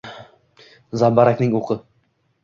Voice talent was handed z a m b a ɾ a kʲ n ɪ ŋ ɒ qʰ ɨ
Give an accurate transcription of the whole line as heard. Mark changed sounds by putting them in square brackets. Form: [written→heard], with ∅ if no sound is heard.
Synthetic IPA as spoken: z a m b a ɾ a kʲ n ɪ ŋ [ɒ→o] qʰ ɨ